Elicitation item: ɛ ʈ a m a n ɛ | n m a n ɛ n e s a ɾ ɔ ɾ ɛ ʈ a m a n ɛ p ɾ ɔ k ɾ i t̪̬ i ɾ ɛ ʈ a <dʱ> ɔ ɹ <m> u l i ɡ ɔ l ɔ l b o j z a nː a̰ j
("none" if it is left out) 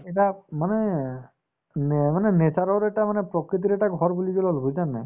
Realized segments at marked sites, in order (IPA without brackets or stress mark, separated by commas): ɡʱ, b